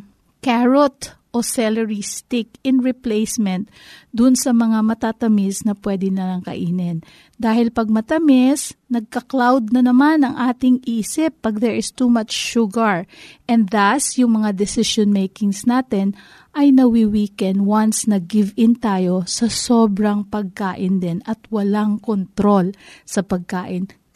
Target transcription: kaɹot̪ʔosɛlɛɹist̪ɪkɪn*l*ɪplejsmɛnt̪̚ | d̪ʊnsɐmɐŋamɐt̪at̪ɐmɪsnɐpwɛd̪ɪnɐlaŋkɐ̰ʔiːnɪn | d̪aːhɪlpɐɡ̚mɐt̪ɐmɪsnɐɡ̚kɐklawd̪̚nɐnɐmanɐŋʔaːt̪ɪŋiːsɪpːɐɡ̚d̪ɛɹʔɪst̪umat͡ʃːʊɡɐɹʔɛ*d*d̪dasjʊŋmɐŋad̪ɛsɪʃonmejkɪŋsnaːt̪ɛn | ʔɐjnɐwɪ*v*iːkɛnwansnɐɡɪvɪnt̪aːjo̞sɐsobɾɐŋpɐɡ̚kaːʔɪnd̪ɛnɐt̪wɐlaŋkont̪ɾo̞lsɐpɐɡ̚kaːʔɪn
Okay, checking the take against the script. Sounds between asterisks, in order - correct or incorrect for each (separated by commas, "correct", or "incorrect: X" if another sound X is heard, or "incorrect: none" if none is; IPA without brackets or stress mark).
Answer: incorrect: ɹ, incorrect: n, incorrect: w